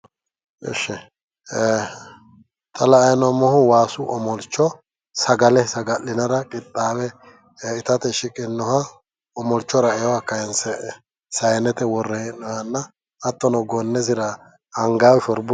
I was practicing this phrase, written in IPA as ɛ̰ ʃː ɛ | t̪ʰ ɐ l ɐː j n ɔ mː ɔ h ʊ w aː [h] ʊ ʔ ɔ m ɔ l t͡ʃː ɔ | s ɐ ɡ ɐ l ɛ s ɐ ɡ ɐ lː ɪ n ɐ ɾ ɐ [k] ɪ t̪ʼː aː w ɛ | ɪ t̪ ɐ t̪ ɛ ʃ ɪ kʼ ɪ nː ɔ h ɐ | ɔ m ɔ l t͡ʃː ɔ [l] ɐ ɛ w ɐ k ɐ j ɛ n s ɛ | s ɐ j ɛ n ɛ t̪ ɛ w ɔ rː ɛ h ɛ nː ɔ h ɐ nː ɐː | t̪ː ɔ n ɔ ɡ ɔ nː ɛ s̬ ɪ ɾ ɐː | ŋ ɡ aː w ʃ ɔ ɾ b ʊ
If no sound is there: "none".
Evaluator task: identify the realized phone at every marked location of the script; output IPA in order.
s, kʼ, ɾ

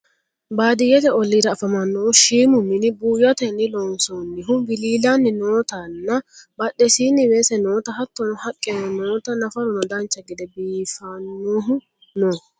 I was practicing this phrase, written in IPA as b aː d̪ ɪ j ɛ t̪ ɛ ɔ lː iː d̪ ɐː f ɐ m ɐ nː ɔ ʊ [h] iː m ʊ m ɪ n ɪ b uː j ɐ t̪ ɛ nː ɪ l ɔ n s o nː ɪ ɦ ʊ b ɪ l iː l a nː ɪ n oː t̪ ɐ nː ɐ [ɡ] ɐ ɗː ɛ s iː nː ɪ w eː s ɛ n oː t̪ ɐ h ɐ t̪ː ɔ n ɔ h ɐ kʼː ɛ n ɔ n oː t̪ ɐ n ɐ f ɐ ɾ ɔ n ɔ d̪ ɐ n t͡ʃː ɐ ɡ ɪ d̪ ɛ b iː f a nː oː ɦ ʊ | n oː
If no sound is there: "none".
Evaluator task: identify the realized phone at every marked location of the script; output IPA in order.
ʃ, b

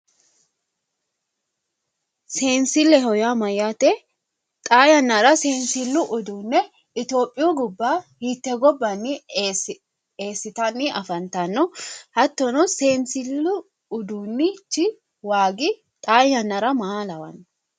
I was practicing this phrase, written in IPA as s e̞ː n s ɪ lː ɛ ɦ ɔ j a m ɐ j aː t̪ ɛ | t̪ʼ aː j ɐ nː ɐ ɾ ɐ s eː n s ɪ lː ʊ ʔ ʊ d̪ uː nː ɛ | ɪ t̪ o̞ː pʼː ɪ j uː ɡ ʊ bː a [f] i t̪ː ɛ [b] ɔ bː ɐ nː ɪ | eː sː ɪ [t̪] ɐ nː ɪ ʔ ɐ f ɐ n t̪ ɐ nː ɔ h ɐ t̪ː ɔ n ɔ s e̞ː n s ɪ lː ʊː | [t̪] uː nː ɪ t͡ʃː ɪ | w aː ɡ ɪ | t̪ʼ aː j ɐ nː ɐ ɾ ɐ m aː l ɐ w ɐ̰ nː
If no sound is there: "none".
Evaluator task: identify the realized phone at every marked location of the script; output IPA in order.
h, ɡ, t̪, d̪

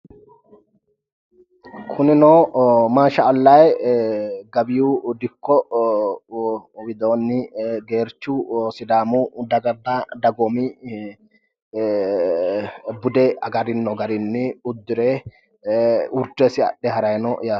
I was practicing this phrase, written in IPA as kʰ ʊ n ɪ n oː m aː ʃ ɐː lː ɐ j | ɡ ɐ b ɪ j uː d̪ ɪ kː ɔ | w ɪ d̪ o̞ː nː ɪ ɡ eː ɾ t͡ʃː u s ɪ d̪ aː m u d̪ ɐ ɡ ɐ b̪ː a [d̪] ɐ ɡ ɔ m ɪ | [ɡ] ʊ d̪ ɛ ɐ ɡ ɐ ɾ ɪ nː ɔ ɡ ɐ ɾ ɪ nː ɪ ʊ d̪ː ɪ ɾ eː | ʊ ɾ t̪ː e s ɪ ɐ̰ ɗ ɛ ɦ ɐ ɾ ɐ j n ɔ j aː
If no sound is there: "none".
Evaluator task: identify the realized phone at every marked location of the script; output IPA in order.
d̪, b

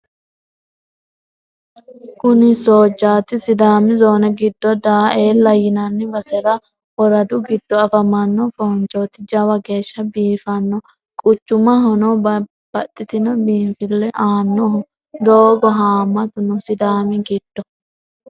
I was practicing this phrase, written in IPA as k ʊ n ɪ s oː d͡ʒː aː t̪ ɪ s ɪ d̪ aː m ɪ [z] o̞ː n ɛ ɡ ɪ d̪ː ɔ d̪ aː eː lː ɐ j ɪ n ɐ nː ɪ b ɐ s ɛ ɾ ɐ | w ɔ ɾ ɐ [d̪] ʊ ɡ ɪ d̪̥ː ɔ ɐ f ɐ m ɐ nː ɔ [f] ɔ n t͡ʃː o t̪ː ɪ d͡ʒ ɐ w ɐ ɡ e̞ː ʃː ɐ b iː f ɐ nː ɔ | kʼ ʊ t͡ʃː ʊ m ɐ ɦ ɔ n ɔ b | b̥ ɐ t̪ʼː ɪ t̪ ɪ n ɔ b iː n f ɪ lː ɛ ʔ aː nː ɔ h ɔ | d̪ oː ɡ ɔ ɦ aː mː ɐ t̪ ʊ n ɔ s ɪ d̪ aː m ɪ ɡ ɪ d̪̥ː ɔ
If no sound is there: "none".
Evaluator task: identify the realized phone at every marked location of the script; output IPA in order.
z, d̪, f

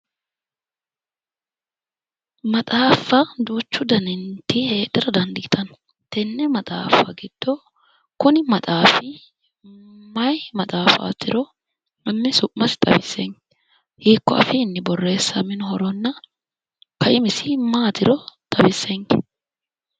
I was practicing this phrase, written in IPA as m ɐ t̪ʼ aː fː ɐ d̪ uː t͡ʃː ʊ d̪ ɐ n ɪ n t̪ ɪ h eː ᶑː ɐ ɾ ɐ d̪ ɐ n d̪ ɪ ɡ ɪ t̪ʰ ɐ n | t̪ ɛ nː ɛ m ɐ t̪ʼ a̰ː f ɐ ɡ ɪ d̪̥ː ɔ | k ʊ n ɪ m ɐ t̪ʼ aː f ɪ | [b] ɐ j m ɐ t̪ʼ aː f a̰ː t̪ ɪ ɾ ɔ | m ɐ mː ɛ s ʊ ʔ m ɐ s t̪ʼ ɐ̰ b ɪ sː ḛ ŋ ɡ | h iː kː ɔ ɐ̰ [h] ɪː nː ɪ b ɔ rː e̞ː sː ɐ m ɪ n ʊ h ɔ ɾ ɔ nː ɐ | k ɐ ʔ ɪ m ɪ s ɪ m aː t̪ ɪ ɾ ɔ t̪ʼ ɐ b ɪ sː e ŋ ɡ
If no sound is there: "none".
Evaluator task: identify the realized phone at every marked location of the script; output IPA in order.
m, f

